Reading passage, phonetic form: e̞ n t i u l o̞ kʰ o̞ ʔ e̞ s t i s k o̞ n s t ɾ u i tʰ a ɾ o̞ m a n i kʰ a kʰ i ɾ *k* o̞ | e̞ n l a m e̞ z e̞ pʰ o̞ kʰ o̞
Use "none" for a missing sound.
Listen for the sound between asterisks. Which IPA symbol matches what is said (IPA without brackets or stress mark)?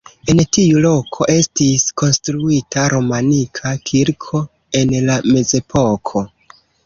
kʰ